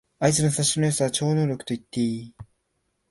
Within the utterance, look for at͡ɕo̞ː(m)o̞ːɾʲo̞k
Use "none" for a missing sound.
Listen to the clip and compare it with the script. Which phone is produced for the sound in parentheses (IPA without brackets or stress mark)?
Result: n